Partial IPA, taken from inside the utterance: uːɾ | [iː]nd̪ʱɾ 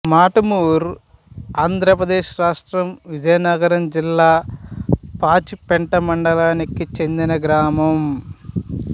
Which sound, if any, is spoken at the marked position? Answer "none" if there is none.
aː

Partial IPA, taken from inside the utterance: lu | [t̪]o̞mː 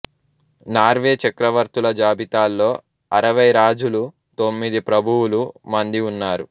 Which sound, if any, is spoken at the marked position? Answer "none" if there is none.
t̪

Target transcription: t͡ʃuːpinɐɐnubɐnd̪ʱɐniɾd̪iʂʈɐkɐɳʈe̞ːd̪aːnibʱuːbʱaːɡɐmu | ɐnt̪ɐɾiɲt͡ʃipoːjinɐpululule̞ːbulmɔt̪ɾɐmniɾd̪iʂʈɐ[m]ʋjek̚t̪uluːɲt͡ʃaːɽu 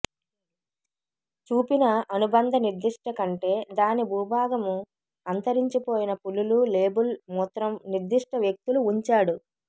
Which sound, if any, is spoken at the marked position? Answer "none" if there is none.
none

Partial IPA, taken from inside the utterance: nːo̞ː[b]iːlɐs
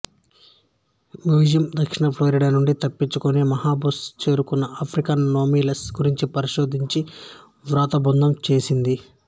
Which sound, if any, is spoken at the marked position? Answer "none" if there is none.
m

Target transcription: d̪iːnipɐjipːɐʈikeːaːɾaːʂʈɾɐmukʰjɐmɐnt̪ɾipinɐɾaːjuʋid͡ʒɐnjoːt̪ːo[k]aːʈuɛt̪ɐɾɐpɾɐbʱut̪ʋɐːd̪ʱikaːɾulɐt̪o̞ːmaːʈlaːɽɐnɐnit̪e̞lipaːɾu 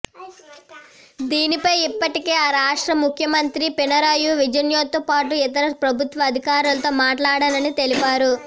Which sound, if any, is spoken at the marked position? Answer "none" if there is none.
p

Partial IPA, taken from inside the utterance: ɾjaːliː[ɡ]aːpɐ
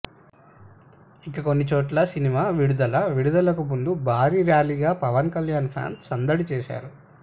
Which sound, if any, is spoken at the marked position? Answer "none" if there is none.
ɡ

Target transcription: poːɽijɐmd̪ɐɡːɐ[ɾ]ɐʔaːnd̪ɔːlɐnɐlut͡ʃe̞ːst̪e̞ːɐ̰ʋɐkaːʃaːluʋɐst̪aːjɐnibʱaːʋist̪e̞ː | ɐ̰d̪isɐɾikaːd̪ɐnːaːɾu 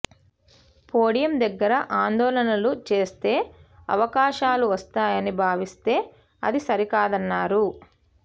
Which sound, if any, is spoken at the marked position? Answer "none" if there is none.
ɾ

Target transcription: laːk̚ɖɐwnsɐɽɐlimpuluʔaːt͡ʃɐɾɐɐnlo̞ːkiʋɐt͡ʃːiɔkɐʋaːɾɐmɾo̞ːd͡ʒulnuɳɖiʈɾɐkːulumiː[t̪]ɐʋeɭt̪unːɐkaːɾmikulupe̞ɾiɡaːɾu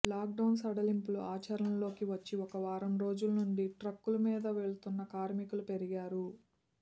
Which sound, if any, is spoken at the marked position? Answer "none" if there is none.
d̪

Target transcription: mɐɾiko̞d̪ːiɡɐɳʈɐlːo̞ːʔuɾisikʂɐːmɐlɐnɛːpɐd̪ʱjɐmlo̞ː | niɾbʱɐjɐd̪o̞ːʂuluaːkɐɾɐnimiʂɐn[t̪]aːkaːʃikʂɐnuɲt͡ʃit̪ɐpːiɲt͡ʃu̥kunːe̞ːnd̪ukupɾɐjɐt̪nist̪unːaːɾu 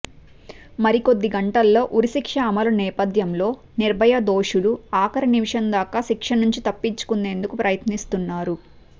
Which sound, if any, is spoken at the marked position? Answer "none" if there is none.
d̪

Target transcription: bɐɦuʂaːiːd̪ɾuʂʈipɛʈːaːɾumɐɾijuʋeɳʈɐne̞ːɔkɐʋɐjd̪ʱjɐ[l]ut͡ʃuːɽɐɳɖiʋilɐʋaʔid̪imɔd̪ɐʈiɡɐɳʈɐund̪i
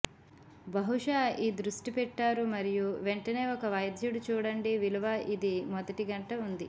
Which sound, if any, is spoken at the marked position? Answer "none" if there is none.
ɽ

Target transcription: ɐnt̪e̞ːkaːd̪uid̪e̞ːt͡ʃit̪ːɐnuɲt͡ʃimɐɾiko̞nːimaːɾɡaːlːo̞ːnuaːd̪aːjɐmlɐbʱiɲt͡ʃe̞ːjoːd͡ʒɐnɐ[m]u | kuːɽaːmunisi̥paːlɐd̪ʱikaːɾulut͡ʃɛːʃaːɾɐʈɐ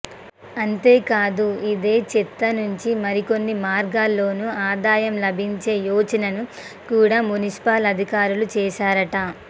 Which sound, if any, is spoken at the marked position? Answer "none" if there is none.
n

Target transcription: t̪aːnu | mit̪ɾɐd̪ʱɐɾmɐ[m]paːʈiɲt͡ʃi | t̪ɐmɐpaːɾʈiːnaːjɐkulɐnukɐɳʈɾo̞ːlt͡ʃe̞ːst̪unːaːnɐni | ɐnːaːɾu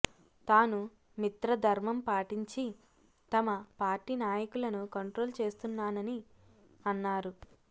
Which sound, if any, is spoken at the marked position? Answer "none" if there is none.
m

